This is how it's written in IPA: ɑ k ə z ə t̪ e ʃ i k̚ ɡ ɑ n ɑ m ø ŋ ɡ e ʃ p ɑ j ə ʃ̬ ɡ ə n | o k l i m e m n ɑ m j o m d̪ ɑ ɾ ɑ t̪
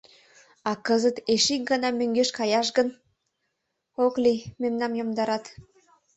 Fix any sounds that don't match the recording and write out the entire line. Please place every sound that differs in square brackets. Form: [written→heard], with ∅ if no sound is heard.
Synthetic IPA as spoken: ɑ k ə z ə t̪ e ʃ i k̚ ɡ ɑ n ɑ m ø ŋ ɡ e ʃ [p→k] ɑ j [ə→ɑ] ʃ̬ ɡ ə n | o k l i m e m n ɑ m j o m d̪ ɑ ɾ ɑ t̪